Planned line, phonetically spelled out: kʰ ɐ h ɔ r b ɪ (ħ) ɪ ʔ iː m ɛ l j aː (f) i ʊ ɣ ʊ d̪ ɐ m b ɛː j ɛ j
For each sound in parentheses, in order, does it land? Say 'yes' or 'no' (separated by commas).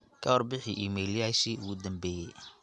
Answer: yes, no